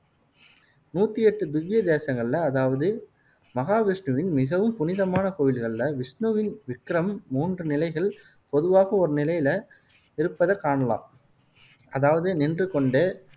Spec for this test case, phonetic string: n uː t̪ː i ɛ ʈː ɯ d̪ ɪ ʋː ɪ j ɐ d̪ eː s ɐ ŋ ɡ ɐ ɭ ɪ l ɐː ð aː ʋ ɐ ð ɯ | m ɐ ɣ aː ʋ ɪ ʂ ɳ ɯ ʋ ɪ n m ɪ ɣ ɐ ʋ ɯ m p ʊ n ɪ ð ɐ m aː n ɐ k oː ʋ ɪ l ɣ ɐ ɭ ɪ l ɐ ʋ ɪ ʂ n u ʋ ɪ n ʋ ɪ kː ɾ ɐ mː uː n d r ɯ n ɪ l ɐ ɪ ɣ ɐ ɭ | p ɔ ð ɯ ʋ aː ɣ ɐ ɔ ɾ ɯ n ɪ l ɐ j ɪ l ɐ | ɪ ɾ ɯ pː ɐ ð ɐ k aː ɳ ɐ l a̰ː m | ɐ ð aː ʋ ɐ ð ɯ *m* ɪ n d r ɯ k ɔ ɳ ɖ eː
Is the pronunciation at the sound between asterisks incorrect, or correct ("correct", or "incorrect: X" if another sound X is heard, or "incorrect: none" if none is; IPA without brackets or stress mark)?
incorrect: n